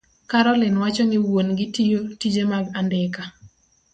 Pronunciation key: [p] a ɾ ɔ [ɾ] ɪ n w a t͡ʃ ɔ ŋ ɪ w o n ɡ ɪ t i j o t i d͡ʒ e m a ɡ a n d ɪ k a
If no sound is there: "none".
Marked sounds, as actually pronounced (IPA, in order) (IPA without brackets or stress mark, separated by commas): k, l